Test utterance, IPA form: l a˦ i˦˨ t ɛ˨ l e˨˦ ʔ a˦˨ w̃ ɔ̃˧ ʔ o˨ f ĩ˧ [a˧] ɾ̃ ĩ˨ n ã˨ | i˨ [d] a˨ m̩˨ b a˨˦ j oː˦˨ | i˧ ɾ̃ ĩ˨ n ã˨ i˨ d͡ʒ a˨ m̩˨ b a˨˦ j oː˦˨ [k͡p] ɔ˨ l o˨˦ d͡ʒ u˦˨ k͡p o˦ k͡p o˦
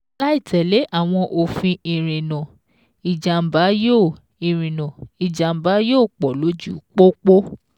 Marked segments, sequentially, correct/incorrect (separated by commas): incorrect, incorrect, correct